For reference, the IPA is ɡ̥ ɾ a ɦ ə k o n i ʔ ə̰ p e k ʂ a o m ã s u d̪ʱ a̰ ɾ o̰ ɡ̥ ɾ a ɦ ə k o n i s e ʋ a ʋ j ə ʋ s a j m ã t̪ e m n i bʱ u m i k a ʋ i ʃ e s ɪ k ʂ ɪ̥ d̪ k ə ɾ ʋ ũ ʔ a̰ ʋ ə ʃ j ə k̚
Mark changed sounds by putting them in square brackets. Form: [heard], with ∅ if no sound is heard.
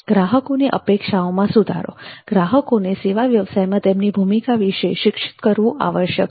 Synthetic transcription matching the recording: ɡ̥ ɾ a ɦ ə k o n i ʔ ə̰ p e k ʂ a o m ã s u d̪ʱ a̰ ɾ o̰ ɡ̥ ɾ a ɦ ə k o n [e] s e ʋ a ʋ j ə ʋ s a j m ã t̪ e m n i bʱ u m i k a ʋ i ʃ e [ʃ] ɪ k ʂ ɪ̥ [t̪] k ə ɾ ʋ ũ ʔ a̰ ʋ ə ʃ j ə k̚